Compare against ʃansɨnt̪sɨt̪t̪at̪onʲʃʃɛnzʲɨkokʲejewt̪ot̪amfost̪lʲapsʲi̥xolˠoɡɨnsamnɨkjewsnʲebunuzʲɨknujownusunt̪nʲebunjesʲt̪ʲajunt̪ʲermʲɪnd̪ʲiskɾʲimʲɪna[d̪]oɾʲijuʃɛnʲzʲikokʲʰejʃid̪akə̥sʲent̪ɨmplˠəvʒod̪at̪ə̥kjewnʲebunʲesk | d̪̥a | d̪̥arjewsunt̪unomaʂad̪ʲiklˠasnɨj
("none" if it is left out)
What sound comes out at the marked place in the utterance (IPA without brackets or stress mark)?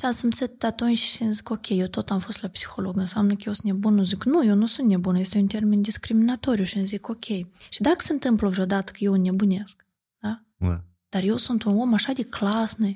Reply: t̪